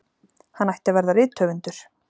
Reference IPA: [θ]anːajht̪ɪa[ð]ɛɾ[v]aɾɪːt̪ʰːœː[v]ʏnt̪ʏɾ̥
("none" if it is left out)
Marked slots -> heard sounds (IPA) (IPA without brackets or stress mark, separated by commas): h, v, ð, v